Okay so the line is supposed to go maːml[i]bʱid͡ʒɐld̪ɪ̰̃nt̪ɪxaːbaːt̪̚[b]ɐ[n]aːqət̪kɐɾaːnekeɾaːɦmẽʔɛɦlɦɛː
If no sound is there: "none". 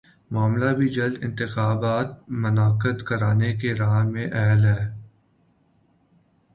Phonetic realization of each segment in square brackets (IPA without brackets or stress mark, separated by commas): a, m, n